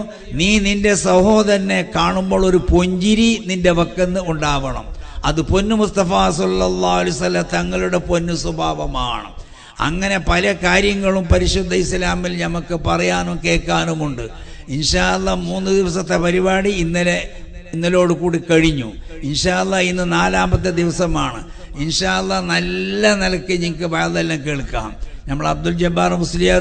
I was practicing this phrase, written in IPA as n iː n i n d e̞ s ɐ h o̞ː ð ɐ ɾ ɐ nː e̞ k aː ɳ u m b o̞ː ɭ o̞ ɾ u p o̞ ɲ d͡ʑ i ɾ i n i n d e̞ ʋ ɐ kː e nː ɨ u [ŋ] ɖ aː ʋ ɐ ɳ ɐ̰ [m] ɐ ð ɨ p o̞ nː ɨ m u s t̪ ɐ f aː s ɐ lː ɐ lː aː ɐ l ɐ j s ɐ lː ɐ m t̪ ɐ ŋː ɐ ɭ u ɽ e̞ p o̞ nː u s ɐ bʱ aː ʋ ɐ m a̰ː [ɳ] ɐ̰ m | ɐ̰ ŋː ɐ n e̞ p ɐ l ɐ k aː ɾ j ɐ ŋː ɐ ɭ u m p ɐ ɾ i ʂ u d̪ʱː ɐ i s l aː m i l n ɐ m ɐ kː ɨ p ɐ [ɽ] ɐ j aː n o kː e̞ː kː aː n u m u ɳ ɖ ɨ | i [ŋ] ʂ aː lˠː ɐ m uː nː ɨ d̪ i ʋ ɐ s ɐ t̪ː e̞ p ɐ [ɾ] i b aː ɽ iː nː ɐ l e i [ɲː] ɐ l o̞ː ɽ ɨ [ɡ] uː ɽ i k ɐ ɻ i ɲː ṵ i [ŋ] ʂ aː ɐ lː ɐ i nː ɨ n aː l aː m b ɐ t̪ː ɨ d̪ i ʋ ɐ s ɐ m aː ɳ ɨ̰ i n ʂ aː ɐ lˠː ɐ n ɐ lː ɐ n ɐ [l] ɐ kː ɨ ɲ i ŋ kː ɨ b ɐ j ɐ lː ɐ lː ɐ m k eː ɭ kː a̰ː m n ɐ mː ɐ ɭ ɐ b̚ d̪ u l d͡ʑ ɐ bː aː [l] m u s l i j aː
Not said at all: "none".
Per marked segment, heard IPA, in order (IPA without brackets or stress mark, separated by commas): ɳ, m, ɳ, r, n, ɾ, nː, k, n, l, r